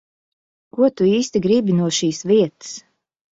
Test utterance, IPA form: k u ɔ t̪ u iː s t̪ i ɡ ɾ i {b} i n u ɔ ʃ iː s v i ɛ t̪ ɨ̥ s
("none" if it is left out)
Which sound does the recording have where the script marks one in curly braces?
b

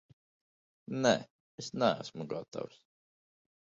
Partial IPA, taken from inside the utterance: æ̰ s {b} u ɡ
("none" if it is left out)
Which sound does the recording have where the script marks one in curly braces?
m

